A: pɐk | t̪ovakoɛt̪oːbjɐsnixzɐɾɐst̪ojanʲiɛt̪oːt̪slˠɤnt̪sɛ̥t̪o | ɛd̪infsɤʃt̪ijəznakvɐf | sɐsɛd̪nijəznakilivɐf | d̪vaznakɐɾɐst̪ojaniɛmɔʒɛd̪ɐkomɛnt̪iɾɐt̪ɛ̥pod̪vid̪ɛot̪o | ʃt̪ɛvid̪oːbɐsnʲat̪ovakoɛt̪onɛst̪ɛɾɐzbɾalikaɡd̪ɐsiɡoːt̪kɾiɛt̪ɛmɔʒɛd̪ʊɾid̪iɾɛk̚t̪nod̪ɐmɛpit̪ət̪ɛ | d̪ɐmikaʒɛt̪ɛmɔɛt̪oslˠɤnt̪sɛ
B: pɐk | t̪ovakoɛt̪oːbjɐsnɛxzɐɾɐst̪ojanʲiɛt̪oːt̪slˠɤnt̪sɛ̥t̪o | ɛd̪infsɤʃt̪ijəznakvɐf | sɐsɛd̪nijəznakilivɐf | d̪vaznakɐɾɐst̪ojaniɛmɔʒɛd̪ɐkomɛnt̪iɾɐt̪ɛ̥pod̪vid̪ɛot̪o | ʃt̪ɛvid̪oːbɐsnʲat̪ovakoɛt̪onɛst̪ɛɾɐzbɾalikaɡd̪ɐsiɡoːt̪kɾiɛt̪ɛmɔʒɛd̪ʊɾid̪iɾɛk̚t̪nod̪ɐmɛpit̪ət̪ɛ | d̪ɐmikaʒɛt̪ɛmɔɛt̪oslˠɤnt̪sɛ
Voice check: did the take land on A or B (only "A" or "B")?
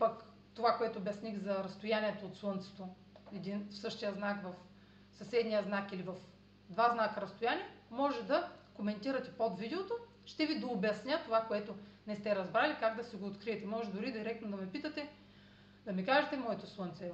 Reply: A